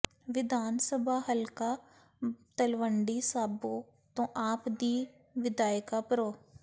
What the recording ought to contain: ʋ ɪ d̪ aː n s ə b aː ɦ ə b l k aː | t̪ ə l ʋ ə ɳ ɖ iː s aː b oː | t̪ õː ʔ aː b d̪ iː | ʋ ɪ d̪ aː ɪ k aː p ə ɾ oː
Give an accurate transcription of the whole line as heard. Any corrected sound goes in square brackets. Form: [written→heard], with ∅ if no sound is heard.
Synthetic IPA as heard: ʋ ɪ d̪ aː n s ə b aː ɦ ə [b→∅] l k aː | t̪ ə l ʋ ə ɳ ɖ iː s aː b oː | t̪ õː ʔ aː [b→p] d̪ iː | ʋ ɪ d̪ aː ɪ k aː p ə ɾ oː